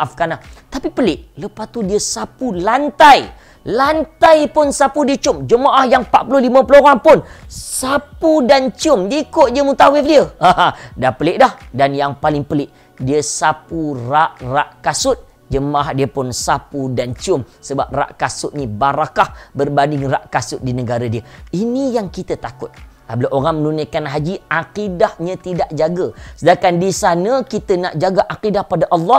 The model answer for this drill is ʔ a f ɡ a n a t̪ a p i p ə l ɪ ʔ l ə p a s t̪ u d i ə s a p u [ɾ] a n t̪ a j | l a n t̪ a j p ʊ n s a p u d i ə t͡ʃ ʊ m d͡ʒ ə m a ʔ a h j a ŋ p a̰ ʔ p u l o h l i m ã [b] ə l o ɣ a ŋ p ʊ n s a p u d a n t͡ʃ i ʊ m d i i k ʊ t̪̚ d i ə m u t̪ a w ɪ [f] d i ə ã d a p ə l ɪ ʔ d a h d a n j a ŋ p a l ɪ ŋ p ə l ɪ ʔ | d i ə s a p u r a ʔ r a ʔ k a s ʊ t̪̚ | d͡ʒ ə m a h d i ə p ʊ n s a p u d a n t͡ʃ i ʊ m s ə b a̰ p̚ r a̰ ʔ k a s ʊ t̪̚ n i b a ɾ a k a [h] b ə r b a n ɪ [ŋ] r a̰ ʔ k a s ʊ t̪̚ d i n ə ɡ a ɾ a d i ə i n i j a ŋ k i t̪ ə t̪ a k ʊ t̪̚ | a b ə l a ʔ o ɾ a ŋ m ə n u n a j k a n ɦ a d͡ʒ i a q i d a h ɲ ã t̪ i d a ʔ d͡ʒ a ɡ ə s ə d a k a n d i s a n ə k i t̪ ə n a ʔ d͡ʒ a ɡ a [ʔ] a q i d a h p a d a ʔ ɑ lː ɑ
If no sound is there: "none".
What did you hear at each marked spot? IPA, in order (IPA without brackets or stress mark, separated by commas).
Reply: l, p, f, h, ŋ, ʔ